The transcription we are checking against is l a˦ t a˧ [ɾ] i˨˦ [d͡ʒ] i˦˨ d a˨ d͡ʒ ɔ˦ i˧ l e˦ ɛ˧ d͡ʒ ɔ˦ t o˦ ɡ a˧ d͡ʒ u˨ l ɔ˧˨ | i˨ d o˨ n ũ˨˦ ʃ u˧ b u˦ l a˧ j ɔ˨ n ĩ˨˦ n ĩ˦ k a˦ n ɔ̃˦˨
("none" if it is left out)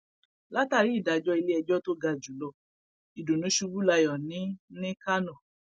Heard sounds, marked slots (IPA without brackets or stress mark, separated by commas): ɾ, none